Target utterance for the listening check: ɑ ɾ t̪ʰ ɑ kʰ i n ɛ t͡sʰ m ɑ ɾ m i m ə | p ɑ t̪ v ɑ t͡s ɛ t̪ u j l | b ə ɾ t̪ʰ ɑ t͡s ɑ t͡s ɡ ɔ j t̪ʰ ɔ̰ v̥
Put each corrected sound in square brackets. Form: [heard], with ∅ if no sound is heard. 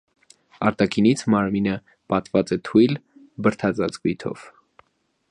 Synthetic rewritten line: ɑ ɾ [t̪] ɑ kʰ i n [i] t͡sʰ m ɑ ɾ m i [n] ə | p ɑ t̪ v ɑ t͡s ɛ [t̪ʰ] u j l | b ə ɾ t̪ʰ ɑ t͡s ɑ t͡s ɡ [u] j t̪ʰ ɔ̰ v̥